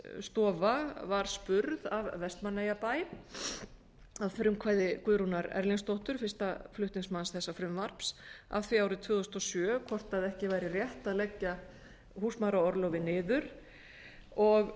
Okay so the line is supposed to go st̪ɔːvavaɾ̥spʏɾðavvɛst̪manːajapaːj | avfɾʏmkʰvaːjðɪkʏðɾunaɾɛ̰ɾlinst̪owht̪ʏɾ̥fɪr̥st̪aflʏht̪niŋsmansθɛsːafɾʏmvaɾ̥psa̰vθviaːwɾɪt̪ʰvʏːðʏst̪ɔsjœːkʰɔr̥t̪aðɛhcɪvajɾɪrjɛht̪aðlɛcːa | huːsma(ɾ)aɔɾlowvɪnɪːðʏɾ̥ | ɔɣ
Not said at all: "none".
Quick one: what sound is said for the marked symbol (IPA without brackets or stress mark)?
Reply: ɾ